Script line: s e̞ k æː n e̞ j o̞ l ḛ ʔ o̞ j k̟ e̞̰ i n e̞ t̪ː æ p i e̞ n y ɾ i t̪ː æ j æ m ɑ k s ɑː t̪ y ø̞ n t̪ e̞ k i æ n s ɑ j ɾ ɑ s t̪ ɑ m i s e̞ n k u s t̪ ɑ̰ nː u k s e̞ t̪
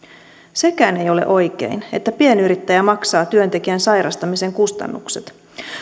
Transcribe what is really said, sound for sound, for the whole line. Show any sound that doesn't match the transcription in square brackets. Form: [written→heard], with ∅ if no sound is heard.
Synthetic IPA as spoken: s e̞ k æː n e̞ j o̞ l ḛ ʔ o̞ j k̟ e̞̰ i n e̞ t̪ː æ p i e̞ n y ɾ i t̪ː æ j æ m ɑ k s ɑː t̪ y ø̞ n t̪ e̞ k i æ n s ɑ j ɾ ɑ s t̪ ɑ m i s e̞ [n→ŋ] k u s t̪ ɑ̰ nː u k s e̞ t̪